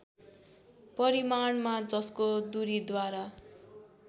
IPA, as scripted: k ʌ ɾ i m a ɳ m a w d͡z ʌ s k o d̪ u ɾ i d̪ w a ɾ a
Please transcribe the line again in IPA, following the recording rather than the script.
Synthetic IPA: p ʌ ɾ i m a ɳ m a d͡z ʌ s k o d̪ u ɾ i d̪ w a ɾ a